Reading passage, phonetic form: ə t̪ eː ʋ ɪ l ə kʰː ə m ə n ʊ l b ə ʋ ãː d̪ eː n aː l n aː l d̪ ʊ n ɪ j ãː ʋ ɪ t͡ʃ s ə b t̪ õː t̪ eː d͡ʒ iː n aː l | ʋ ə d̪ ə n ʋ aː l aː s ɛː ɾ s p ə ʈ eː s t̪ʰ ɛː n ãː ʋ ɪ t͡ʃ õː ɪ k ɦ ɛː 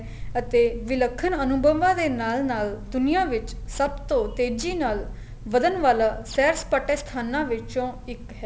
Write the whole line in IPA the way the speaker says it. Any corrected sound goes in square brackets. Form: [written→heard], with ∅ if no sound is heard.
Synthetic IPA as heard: ə t̪ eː ʋ ɪ l ə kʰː ə [m→n] ə n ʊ [l→∅] b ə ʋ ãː d̪ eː n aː l n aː l d̪ ʊ n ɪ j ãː ʋ ɪ t͡ʃ s ə b t̪ õː t̪ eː d͡ʒ iː n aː l | ʋ ə d̪ ə n ʋ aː l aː s ɛː ɾ s p ə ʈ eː s t̪ʰ [ɛː→aː] n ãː ʋ ɪ t͡ʃ õː ɪ k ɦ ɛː